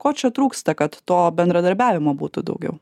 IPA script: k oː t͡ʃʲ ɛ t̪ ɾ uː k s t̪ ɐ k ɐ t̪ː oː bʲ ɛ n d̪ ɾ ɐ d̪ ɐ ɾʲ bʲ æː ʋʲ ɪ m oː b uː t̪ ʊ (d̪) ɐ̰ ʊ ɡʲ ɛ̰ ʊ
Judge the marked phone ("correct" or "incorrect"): correct